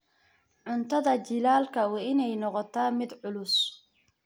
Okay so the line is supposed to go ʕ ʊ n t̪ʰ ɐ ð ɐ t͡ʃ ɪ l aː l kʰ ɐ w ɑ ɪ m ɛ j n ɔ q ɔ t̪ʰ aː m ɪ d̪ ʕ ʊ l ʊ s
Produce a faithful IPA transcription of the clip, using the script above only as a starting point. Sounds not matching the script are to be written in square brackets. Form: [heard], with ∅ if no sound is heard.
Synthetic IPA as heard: ʕ ʊ n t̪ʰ ɐ ð ɐ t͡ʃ ɪ l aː l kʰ ɐ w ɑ ɪ [n] ɛ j n ɔ q ɔ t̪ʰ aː m ɪ d̪ ʕ ʊ l ʊ s

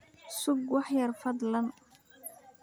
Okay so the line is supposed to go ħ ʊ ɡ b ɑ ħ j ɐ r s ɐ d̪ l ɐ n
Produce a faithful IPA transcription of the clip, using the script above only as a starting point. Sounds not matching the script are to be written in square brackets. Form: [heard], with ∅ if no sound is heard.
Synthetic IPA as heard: [s] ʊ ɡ [w] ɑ ħ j ɐ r [f] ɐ d̪ l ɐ n

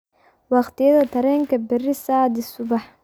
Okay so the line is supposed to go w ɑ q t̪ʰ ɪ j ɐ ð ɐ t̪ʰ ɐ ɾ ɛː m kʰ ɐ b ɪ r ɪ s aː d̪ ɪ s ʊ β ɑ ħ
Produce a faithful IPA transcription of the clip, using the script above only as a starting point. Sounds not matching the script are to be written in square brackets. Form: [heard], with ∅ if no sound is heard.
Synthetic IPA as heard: w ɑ q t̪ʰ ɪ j ɐ ð ɐ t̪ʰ ɐ ɾ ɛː [ŋ] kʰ ɐ b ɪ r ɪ s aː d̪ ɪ s ʊ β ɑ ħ

